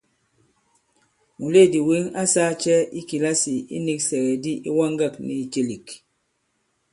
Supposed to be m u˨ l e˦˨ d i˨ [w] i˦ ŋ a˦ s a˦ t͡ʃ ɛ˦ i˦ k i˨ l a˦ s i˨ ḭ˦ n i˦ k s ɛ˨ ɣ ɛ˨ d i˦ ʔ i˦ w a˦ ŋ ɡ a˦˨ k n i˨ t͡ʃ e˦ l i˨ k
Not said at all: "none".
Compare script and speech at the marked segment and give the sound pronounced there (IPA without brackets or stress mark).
w